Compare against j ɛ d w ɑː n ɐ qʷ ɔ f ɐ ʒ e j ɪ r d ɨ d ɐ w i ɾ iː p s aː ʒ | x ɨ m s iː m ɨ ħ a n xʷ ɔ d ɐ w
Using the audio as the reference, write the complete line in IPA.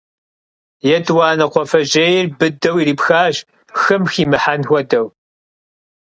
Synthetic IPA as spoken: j ɛ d w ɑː n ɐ qʷ ɔ f ɐ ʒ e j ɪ r b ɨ d ɐ w i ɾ iː p x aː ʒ | x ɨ m x iː m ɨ ħ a n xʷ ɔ d ɐ w